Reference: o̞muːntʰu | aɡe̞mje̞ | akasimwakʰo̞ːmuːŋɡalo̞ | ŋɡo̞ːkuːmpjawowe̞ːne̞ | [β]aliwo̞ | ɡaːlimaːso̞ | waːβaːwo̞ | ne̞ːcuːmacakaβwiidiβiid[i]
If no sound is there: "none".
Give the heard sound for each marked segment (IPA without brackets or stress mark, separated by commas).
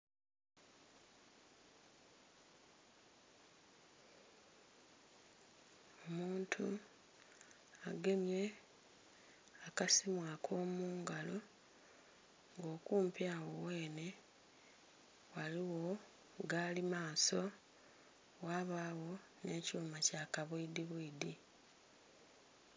w, i